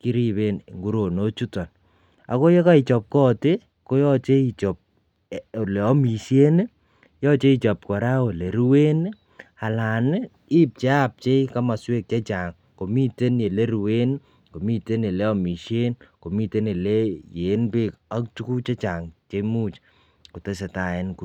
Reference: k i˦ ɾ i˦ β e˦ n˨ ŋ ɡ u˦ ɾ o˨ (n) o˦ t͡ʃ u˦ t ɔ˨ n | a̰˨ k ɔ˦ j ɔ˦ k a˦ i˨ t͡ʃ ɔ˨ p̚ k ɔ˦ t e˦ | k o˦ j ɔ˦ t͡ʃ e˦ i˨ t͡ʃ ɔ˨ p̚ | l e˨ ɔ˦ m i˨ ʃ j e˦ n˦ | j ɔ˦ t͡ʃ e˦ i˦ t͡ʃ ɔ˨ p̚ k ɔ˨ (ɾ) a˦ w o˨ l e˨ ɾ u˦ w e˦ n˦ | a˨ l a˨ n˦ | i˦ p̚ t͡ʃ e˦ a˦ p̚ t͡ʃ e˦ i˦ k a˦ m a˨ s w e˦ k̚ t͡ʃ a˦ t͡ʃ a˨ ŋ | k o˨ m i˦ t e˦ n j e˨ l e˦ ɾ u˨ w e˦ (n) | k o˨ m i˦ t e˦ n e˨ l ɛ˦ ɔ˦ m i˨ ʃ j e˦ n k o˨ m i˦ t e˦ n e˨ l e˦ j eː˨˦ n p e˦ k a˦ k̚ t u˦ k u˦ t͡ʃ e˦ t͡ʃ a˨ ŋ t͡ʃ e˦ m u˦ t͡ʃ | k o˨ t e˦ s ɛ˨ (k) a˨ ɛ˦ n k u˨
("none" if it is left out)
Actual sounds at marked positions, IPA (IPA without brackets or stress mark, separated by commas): n, ɾ, n, t